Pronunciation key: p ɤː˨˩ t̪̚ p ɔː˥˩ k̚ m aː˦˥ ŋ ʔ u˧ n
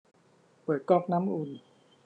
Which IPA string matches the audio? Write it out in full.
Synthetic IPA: p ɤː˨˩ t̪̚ k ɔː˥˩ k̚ n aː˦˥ m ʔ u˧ n